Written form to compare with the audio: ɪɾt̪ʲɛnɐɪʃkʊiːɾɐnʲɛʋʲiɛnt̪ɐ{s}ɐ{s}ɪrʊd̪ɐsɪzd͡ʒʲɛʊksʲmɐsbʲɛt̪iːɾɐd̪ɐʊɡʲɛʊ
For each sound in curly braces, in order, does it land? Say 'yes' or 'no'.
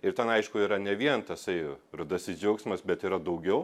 yes, no

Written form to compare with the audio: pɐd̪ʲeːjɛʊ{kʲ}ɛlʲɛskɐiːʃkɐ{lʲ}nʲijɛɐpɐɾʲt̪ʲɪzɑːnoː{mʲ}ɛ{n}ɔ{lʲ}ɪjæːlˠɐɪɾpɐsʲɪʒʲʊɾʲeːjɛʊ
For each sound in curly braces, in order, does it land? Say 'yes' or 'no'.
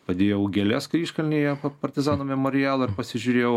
no, yes, yes, no, no

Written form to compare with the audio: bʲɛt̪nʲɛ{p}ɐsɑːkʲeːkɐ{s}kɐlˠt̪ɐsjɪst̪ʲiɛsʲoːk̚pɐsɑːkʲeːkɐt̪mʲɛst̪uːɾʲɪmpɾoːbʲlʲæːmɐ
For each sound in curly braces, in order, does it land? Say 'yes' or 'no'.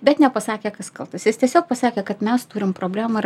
yes, yes

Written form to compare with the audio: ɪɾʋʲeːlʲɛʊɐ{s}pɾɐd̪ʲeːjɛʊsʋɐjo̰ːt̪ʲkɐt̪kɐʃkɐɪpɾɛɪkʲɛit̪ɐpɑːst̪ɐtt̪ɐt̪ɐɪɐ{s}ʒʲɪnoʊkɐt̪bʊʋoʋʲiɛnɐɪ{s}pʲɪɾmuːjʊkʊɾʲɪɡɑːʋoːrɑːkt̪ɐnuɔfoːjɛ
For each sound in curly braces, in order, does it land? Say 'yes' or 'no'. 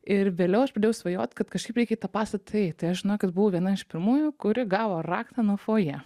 no, no, no

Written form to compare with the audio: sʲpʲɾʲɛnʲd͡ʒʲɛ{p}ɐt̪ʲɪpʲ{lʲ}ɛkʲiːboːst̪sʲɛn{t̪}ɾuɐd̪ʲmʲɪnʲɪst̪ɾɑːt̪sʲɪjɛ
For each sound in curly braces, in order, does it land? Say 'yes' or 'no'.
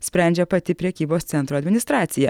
yes, no, yes

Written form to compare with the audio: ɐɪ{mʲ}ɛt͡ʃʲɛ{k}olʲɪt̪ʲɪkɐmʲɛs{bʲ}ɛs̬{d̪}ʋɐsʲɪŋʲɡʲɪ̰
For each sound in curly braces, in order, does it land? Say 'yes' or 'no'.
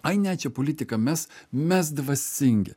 no, no, no, yes

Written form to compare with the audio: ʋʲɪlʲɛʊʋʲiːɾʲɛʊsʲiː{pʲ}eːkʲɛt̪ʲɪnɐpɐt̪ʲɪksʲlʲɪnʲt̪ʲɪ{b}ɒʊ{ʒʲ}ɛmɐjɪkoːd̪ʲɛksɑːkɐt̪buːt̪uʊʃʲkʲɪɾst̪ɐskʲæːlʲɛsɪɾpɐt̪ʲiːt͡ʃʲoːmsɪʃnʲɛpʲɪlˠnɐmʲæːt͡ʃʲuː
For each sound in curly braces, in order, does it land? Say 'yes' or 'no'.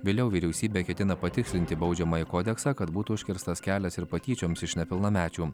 no, yes, no

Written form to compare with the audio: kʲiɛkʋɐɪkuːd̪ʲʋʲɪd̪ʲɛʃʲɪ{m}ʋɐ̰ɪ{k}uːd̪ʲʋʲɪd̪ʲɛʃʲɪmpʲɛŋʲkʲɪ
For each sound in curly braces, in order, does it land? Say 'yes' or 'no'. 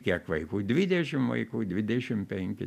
yes, yes

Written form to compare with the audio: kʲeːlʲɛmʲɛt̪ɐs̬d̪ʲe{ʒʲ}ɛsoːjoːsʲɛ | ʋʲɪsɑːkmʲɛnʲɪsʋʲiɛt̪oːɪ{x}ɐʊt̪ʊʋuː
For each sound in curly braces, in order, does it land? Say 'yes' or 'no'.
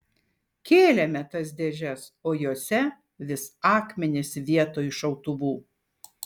yes, no

